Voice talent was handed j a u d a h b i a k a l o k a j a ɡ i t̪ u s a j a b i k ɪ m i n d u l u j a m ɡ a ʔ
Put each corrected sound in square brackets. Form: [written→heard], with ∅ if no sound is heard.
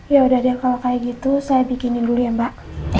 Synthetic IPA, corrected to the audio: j a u d a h [b→d] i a k a l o k a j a ɡ i t̪ u s a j a b i k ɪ [m→n] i n d u l u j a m [ɡ→b] a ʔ